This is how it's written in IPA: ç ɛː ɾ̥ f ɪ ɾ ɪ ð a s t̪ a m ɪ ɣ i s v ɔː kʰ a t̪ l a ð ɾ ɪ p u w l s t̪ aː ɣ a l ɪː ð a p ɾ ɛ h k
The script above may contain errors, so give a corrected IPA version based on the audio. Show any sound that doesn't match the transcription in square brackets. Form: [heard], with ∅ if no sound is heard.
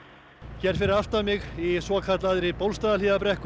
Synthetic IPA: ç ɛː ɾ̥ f ɪ ɾ ɪ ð a [f] t̪ a m ɪ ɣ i s v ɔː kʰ a t̪ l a ð ɾ ɪ p [o] w l s t̪ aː [ð] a l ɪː ð a p ɾ ɛ h k